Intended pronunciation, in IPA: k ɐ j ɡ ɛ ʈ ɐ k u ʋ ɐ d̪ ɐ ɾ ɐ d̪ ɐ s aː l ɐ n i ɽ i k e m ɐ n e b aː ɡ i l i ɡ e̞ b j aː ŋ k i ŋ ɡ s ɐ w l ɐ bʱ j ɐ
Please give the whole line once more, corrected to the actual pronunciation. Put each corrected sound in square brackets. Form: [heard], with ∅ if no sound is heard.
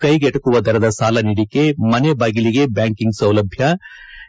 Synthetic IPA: k ɐ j ɡ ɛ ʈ ɐ k u ʋ ɐ d̪ ɐ ɾ ɐ d̪ ɐ s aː l ɐ n i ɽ i k e m ɐ n e b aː ɡ i l i ɡ e̞ b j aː ŋ k i ŋ ɡ s ɐ w l ɐ bʱ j ɐ

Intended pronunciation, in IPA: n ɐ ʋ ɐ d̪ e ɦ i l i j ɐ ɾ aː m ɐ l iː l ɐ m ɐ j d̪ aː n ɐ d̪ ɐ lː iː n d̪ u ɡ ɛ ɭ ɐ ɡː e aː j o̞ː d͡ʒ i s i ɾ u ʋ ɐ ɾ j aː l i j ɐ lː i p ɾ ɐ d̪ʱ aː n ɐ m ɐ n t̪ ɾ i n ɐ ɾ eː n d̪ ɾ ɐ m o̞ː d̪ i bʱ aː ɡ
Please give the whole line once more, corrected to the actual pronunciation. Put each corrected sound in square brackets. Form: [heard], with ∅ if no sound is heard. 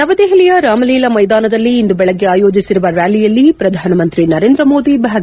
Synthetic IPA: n ɐ ʋ ɐ d̪ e ɦ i l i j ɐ ɾ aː m ɐ l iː l ɐ m ɐ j d̪ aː n ɐ d̪ ɐ lː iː n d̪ u [b] ɛ ɭ ɐ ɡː e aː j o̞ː d͡ʒ i s i ɾ u ʋ ɐ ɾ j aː l i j ɐ lː i p ɾ ɐ d̪ʱ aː n ɐ m ɐ n t̪ ɾ i n ɐ ɾ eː n d̪ ɾ ɐ m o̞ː d̪ i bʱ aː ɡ

